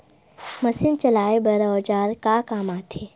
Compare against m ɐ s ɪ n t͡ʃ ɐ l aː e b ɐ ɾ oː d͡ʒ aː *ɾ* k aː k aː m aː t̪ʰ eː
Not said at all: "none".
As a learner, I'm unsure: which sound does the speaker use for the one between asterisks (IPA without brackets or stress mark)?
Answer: ɾ